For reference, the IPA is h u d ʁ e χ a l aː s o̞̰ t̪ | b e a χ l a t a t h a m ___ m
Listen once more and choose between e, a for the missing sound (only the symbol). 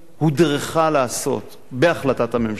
e